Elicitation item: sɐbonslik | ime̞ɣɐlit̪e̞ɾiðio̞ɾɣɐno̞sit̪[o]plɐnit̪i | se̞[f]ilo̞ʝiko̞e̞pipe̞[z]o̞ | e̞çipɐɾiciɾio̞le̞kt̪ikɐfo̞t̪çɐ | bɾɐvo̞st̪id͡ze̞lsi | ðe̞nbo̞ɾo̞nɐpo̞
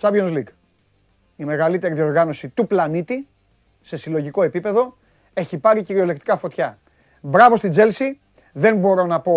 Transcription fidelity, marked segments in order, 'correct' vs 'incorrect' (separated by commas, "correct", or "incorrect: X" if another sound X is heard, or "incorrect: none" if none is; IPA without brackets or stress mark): incorrect: u, incorrect: s, incorrect: ð